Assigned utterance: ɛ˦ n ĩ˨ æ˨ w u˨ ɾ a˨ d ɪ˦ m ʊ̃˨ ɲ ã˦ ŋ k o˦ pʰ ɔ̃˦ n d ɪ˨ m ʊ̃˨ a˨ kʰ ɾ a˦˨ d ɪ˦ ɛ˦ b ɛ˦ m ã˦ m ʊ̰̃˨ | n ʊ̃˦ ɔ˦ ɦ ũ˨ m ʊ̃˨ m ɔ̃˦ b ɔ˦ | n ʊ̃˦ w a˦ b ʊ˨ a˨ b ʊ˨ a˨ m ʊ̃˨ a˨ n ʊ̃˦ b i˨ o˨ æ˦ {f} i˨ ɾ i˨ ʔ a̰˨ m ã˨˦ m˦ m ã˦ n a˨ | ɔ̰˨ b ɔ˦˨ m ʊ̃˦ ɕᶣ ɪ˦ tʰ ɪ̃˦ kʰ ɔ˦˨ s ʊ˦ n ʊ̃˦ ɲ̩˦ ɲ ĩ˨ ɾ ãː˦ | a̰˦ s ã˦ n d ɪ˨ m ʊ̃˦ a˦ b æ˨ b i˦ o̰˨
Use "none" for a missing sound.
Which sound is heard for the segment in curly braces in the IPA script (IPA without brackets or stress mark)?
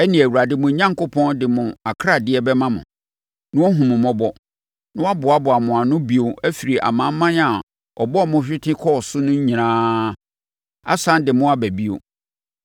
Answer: f